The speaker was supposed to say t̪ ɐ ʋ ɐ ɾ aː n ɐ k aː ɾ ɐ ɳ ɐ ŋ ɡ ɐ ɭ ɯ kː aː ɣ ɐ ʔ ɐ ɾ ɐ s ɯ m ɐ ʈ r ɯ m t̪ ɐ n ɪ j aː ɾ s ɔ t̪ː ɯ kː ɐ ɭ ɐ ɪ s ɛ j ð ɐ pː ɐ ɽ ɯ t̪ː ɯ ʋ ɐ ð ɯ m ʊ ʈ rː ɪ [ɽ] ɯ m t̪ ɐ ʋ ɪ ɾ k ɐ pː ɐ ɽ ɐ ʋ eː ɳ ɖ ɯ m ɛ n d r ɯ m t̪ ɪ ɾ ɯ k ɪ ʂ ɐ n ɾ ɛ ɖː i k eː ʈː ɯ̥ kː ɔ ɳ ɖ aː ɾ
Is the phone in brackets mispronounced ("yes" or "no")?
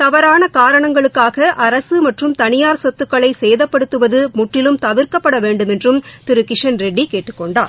yes